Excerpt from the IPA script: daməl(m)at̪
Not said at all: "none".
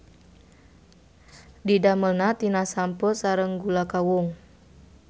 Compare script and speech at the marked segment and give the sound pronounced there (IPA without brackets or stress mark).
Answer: n